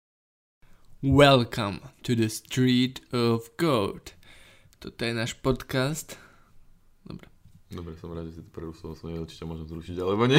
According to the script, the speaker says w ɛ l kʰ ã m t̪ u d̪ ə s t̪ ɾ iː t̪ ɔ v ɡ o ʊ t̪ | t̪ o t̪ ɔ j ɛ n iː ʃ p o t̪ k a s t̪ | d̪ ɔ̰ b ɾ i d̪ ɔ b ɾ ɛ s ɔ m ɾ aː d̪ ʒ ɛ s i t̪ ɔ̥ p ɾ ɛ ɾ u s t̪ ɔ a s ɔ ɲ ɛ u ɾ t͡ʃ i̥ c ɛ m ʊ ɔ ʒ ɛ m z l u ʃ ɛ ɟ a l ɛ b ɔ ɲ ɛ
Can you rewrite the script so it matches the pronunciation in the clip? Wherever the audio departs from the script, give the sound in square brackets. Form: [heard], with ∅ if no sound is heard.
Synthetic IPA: w ɛ l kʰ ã m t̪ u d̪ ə s t̪ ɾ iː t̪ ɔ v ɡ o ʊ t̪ | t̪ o t̪ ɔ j ɛ n [aː] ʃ p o t̪ k a s t̪ | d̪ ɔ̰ b ɾ [ɛ] d̪ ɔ b ɾ ɛ s ɔ m ɾ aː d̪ ʒ ɛ s i t̪ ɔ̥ p ɾ ɛ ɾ u s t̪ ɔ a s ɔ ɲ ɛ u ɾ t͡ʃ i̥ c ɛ m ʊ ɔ ʒ ɛ m z [ɾ] u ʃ [i] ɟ a l ɛ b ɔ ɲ ɛ